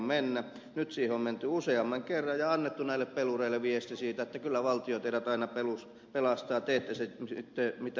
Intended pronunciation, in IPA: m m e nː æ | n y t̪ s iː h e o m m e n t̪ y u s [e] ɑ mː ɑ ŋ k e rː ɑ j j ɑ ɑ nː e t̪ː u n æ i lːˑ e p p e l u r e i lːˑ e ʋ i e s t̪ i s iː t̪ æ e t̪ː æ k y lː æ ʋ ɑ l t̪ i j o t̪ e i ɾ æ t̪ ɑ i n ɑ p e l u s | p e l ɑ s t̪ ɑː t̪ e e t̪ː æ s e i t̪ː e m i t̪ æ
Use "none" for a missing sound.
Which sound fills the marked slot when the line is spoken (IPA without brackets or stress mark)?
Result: e